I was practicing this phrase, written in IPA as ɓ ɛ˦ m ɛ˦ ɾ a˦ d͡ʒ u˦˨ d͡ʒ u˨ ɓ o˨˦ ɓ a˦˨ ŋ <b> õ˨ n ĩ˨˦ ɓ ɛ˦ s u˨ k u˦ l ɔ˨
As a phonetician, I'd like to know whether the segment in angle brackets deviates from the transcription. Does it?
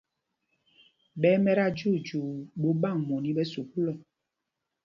yes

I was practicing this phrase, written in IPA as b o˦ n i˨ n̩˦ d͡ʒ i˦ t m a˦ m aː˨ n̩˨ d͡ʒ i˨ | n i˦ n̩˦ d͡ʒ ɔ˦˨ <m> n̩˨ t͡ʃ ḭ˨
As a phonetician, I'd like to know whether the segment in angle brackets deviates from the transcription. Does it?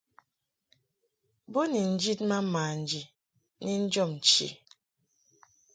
no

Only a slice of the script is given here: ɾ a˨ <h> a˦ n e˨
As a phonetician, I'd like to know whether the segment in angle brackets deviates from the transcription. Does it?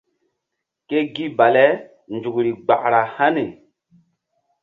no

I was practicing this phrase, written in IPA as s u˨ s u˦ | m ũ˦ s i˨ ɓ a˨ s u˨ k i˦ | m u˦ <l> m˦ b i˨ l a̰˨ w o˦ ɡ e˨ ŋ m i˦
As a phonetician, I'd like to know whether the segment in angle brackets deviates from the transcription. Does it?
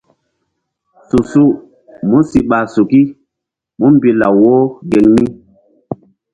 yes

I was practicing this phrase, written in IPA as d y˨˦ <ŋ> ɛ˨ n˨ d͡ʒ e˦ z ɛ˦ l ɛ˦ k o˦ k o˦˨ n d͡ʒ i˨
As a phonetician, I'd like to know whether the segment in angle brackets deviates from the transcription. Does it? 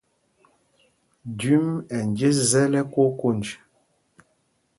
yes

